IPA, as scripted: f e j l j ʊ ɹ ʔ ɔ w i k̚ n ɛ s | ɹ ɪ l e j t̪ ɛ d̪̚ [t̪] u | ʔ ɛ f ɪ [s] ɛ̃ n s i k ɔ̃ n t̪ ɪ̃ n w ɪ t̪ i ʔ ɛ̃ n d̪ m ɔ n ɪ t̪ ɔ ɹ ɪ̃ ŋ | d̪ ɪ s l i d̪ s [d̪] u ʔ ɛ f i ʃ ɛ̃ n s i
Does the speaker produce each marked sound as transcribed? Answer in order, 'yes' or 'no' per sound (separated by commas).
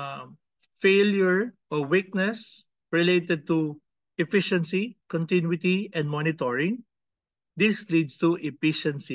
yes, no, no